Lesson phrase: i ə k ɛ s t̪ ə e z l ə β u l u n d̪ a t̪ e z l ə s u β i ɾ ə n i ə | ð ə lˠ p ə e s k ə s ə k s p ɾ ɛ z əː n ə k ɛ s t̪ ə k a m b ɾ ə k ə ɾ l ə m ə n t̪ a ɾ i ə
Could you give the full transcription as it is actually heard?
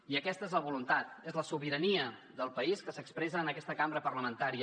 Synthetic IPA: i ə k ɛ s t̪ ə e z l ə β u l u n t̪ a t̪ e z l ə s u β i ɾ ə n i ə | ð ə lˠ p ə i s k ə s ə k s p ɾ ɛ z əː n ə k ɛ s t̪ ə k a m b ɾ ə p ə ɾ l ə m ə n t̪ a ɾ i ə

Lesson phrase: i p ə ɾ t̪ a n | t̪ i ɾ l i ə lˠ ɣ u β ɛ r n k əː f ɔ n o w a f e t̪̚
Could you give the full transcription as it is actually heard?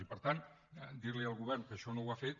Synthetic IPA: i p ə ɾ t̪ a n | d̪ i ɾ l i ə lˠ ɣ u β ɛ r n k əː ʃ ɔ n o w a f e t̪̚

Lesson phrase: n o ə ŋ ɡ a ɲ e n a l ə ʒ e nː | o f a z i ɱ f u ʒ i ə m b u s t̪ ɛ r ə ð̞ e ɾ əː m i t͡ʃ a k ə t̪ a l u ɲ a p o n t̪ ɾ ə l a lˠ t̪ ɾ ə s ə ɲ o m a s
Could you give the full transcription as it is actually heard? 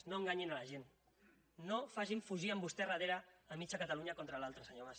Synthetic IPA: n o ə ŋ ɡ a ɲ i n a l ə ʒ e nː | o f a ʒ i ɱ f u ʒ i ə m b u s t̪ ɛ r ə ð̞ e ɾ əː m i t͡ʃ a k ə t̪ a l u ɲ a k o n t̪ ɾ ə l a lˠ t̪ ɾ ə s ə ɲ o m a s

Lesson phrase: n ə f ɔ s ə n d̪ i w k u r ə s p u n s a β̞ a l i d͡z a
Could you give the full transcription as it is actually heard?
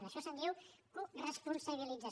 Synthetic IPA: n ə ʃ ɔ s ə n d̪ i w k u r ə s p u n s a β̞ i l i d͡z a

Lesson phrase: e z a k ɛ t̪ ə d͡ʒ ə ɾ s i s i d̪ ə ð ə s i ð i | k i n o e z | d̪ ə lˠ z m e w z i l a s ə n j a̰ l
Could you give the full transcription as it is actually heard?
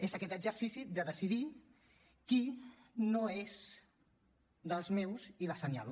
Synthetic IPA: e z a k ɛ t̪ ə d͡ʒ ə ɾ s i s i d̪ ə ð ə s i ð i | k i n o e z | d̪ ə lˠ z m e w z i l a s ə n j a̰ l

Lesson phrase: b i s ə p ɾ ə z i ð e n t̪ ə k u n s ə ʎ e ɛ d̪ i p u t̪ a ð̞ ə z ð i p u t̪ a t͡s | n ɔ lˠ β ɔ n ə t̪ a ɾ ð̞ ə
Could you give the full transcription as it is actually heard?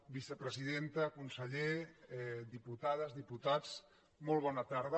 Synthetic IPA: b i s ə p ɾ ə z i ð e n t̪ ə k u n s ə ʎ e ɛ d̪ i p u t̪ a ð̞ ə z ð i p u t̪ a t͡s | m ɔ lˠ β ɔ n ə t̪ a ɾ ð̞ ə

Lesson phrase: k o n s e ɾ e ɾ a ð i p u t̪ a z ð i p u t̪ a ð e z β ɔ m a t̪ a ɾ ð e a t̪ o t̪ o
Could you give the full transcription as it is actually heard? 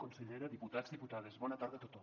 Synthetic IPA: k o n s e ʎ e ɾ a ð i p u t̪ a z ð i p u t̪ a ð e z β ɔ n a t̪ a ɾ ð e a t̪ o t̪ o

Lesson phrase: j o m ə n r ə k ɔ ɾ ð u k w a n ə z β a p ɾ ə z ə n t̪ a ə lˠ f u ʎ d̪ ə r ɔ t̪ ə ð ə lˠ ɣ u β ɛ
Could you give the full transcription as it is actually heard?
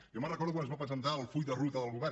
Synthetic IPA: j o m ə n r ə k ɔ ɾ ð u k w a n ə z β a p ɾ ə z ə n t̪ a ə lˠ f u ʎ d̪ ə r u t̪ ə ð ə lˠ ɣ u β ɛ

